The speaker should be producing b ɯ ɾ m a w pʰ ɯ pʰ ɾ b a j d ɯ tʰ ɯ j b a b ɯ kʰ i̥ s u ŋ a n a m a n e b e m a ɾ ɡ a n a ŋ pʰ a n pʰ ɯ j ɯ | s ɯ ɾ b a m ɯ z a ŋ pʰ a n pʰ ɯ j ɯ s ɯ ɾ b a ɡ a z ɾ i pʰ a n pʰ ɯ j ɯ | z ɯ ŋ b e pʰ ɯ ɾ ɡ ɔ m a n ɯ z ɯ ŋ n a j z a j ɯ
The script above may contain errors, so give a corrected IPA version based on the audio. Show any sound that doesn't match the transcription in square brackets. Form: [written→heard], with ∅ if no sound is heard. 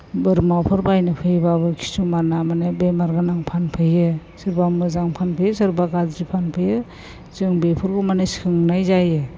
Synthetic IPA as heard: b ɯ ɾ m a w pʰ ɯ [pʰ→∅] ɾ b a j [d→n] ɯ [tʰ→pʰ] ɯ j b a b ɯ kʰ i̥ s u [ŋ→m] a n a m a n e b e m a ɾ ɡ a n a ŋ pʰ a n pʰ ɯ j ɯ | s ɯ ɾ b a m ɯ z a ŋ pʰ a n pʰ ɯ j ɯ s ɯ ɾ b a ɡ a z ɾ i pʰ a n pʰ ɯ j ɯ | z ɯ ŋ b e pʰ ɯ ɾ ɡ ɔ m a n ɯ [z→s] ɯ ŋ n a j z a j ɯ